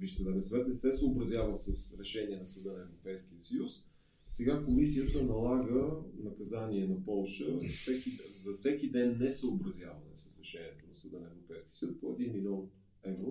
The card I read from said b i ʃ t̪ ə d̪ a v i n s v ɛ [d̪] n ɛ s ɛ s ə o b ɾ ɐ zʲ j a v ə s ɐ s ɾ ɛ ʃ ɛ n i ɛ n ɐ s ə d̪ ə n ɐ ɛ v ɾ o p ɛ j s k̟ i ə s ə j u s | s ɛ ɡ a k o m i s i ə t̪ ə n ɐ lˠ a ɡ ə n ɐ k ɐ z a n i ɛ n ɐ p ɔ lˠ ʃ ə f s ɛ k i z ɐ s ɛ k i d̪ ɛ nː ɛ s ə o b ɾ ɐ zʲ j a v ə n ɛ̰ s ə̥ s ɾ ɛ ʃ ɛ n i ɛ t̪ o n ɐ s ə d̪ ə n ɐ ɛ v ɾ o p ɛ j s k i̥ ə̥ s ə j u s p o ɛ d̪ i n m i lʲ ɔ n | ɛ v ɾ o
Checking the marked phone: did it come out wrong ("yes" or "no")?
yes